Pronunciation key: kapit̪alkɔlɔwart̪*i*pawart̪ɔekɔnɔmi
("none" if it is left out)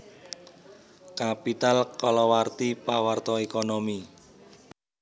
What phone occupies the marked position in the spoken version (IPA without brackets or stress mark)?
i